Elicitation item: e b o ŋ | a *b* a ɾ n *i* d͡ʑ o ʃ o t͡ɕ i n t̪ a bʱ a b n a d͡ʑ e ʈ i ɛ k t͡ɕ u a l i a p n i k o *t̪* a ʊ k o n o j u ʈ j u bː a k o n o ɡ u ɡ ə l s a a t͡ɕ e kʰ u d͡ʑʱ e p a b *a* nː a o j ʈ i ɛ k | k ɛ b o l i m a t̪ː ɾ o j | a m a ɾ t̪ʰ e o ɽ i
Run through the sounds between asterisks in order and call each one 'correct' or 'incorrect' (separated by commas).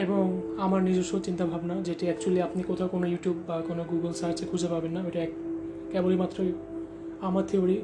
incorrect, correct, incorrect, incorrect